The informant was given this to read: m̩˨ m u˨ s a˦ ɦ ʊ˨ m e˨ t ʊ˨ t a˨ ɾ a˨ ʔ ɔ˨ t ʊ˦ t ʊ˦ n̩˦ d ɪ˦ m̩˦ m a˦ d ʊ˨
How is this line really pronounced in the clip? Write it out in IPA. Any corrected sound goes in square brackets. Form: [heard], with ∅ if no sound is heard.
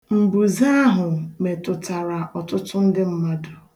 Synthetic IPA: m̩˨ [b] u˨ [z] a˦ ɦ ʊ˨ m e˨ t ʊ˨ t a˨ ɾ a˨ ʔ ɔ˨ t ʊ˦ t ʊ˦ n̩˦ d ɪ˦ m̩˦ m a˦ d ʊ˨